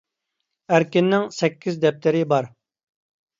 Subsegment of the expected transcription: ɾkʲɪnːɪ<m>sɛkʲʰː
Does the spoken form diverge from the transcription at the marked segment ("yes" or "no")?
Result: yes